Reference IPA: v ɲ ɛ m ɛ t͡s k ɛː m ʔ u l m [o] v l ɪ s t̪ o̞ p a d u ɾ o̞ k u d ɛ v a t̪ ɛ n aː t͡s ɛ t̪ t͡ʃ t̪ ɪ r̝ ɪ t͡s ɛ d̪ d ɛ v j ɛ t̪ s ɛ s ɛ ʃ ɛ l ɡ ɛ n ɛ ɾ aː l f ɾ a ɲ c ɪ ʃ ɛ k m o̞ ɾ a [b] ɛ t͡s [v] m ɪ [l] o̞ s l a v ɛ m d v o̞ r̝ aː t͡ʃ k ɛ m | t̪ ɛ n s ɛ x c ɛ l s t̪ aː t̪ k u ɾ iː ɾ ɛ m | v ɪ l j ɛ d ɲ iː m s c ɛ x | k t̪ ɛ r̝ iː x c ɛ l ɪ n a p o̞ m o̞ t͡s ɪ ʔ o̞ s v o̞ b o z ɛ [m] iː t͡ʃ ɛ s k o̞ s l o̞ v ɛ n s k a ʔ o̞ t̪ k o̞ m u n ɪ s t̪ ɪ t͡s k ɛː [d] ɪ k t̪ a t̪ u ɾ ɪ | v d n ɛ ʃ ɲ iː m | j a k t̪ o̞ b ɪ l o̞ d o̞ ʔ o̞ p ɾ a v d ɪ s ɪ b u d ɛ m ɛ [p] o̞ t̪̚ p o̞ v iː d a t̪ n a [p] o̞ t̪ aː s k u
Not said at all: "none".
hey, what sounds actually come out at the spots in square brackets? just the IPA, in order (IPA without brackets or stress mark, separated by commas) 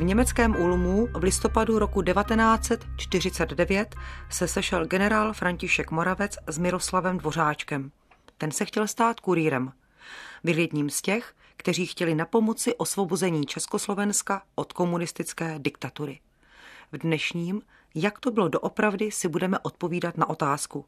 u, v, z, ɾ, ɲ, d, ʔ, ʔ